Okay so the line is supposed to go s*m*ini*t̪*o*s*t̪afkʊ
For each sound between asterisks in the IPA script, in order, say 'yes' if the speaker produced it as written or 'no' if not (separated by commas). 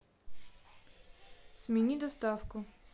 yes, no, yes